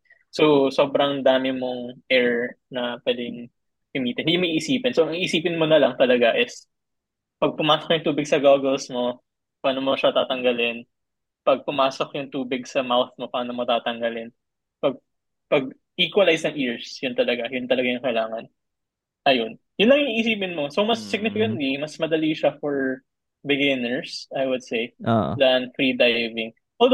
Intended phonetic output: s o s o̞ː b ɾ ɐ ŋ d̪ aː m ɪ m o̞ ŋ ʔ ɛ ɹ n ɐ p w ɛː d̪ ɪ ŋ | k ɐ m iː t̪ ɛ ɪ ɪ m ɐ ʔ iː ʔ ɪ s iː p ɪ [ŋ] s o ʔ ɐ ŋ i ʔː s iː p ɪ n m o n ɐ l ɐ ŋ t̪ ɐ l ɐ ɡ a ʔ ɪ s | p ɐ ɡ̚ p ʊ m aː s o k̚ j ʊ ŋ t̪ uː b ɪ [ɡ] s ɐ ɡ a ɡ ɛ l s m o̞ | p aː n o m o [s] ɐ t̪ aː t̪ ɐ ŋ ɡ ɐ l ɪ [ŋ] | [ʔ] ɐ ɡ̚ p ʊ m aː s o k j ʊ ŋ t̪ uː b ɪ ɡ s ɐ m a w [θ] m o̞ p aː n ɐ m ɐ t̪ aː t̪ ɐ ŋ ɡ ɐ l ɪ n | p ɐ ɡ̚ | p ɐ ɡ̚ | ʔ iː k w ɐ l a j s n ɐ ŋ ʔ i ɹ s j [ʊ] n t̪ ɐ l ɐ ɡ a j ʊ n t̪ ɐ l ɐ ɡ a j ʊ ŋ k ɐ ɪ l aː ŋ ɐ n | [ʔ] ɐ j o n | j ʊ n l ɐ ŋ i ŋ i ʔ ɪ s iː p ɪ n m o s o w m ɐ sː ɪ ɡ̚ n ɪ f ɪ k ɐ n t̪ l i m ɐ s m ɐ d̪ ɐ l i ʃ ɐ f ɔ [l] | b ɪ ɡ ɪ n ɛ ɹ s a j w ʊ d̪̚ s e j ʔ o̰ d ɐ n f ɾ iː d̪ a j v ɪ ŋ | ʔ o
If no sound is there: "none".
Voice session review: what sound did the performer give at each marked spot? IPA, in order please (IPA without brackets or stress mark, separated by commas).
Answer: n, ɡ, ʃ, n, p, θ, ʊ, ʔ, ɹ